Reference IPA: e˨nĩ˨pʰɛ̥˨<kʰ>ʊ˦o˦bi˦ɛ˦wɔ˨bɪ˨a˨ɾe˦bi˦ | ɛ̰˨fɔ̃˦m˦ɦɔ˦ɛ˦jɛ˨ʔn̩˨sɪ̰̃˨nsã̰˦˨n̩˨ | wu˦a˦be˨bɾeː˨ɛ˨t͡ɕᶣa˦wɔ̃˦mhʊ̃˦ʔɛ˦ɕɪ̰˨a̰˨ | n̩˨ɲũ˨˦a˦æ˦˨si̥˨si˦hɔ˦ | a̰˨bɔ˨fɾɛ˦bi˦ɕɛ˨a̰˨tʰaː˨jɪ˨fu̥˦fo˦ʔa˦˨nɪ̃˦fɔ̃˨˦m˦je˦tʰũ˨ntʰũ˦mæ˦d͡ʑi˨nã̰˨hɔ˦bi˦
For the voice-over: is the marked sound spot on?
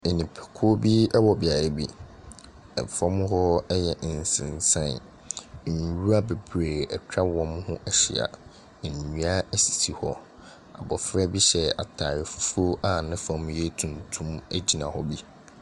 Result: yes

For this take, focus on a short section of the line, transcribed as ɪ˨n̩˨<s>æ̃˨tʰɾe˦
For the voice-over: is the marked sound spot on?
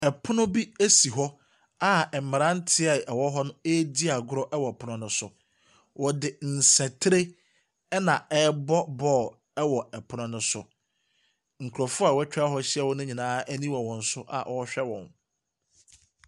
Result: yes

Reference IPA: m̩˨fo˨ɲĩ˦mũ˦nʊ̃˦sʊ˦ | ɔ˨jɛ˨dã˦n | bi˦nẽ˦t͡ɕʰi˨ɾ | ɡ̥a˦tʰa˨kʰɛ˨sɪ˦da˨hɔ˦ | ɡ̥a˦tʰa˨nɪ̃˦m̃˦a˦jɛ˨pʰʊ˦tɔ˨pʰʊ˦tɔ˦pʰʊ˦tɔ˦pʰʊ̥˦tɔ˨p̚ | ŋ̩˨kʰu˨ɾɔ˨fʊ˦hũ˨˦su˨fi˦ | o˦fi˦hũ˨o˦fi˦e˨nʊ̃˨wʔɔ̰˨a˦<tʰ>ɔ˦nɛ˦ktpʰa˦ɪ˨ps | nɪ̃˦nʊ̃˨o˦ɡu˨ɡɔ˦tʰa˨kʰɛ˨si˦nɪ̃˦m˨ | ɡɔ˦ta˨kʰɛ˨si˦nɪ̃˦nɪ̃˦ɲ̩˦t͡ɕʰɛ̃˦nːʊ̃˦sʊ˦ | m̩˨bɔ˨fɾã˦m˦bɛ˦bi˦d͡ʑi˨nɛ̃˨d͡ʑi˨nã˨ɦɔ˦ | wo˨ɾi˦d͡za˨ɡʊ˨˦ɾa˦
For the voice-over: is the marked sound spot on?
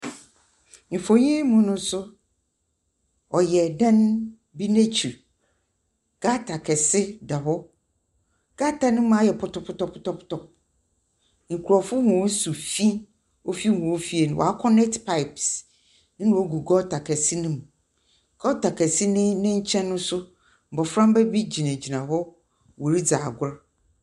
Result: no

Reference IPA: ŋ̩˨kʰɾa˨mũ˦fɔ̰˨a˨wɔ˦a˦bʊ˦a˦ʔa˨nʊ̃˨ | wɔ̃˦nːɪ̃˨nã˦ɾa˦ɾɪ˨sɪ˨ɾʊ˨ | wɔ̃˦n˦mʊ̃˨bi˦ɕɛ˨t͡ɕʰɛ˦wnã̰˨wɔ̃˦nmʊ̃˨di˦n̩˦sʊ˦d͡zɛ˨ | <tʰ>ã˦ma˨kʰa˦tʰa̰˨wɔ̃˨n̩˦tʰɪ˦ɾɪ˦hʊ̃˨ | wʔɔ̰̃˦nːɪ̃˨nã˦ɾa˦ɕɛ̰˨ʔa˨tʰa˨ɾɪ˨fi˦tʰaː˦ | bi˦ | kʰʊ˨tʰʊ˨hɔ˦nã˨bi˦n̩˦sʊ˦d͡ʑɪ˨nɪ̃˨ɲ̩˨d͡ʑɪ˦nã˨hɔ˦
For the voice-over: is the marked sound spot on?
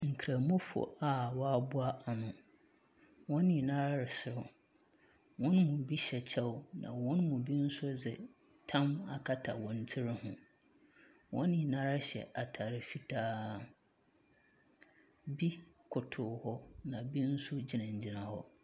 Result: yes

